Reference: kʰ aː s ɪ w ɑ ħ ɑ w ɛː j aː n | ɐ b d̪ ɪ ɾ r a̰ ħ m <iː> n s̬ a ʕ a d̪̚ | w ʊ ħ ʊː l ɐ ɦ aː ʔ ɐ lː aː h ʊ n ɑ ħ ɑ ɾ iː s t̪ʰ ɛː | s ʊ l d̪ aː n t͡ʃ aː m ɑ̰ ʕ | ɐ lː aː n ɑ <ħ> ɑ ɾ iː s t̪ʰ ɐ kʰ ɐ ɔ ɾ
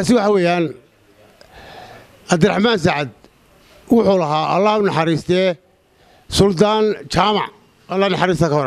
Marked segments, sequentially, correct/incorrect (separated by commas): incorrect, correct